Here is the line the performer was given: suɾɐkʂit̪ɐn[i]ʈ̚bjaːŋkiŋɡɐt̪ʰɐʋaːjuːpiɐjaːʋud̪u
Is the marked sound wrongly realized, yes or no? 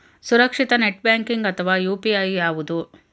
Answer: yes